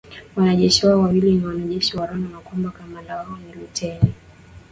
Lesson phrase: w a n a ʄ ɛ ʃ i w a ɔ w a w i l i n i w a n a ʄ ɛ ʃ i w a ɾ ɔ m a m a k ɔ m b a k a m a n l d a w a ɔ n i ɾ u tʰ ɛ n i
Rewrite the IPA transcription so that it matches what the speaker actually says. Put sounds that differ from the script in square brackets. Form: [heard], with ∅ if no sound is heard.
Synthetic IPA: w a n a ʄ ɛ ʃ i w a ɔ w a w i l i n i w a n a ʄ ɛ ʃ i w a ɾ ɔ [n] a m a k ɔ m b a k a m a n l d a w a ɔ n i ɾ u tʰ ɛ n i